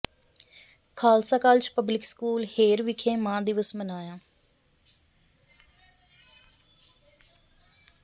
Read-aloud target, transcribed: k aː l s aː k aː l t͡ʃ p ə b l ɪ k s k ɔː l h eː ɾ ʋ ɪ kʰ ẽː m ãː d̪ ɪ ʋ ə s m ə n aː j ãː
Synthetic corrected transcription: kʰ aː l s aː k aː l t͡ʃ p ə b l ɪ k s k uː l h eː ɾ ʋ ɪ kʰ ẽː m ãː d̪ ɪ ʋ ə s m ə n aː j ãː